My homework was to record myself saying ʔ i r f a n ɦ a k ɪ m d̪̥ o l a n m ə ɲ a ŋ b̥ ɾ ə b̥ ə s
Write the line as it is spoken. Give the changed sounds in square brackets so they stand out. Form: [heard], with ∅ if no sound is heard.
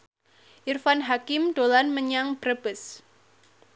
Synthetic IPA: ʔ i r f a n ɦ a k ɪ m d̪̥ o l a n m ə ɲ a ŋ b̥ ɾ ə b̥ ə s